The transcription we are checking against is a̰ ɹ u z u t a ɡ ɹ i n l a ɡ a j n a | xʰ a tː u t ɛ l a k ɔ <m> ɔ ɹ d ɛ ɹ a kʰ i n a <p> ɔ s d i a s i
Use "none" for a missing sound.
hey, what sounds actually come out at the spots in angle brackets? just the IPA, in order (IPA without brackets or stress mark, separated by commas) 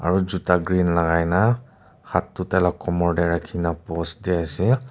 m, p